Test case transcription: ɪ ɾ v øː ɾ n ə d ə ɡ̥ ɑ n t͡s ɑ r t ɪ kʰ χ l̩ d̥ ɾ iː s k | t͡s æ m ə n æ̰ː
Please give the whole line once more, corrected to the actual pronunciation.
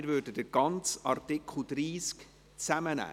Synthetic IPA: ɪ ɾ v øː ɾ d ə d ə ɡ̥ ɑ n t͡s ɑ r t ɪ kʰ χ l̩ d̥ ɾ iː s k | t͡s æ m ə n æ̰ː